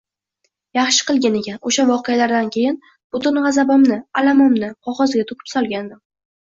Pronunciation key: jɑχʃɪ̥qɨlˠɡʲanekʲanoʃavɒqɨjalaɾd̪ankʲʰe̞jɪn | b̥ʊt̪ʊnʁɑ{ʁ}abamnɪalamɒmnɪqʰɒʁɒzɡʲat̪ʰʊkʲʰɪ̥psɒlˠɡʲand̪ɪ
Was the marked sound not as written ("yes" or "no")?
yes